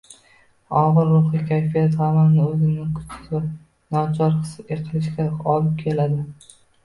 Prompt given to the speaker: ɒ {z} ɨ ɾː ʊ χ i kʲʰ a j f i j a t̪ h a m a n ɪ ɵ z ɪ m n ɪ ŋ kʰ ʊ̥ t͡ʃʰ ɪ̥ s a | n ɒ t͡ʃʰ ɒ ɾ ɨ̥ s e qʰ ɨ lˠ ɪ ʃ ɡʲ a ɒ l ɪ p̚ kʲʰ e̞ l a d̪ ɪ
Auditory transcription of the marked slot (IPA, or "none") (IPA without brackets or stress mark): ʁ